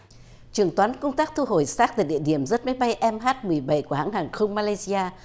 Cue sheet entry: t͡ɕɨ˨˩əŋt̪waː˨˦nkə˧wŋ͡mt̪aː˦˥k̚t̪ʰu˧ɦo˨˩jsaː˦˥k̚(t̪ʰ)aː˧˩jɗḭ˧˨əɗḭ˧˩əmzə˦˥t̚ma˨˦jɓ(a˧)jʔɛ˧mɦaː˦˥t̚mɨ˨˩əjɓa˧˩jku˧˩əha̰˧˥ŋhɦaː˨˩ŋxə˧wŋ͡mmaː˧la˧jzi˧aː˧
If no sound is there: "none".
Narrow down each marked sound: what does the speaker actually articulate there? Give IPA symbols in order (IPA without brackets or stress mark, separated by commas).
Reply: t̪, a˧